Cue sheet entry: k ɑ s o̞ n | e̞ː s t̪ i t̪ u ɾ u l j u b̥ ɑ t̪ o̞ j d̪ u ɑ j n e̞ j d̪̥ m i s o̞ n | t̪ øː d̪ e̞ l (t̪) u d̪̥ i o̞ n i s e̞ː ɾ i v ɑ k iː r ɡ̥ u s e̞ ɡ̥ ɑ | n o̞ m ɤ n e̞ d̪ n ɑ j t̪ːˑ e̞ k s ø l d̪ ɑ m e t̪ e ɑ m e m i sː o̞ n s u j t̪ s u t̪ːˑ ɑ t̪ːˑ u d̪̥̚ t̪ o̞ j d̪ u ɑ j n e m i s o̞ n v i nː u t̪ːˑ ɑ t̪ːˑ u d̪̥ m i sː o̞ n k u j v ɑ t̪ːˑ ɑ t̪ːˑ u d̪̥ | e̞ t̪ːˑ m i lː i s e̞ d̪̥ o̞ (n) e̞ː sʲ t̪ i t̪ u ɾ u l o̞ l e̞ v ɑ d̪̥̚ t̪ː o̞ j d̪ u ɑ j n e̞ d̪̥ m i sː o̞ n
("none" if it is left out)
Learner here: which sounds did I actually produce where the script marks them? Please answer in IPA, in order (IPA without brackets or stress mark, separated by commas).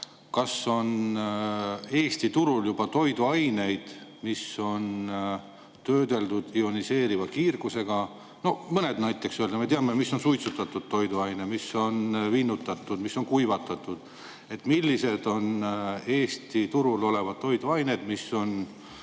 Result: d̪, n